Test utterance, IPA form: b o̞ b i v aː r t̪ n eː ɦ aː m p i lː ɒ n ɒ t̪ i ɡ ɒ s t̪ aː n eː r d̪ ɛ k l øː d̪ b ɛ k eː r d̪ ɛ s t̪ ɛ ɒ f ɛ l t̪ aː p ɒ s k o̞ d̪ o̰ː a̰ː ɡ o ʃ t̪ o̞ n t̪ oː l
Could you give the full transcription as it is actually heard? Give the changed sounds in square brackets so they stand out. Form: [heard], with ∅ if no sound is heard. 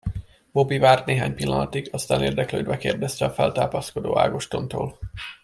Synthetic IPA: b o̞ b i v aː r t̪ n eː ɦ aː [ɲ] p i lː ɒ n ɒ t̪ i ɡ ɒ s t̪ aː n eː r d̪ ɛ k l øː d̪ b ɛ k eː r d̪ ɛ s t̪ ɛ ɒ f ɛ l t̪ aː p ɒ s k o̞ d̪ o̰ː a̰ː ɡ o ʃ t̪ o̞ n t̪ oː l